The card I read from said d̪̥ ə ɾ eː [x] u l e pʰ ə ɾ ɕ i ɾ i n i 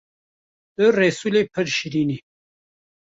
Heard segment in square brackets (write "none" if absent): s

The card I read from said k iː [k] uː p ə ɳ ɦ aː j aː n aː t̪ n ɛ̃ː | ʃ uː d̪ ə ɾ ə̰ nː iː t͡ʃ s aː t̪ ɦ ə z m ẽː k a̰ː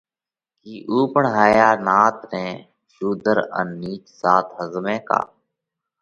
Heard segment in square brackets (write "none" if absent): ʔ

